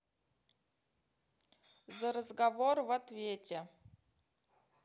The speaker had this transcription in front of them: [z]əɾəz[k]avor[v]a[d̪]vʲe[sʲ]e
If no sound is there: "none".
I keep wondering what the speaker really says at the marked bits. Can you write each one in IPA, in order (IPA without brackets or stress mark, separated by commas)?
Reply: z, ɡ, v, t̪, tʲ